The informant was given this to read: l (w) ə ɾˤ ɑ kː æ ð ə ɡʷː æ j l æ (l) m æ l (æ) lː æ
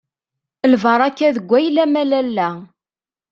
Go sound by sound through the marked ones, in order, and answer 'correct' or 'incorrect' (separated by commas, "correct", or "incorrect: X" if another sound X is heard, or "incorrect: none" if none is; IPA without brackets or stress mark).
incorrect: v, incorrect: none, correct